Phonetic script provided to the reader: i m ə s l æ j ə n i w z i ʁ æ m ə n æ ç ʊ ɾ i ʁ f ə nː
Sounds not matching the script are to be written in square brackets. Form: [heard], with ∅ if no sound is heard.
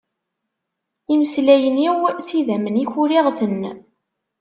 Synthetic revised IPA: i m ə s l æ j ə n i w [s] i [ð] æ m ə n [i] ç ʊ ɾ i ʁ [θ] ə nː